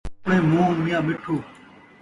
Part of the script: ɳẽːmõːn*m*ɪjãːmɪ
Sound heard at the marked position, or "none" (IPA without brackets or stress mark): m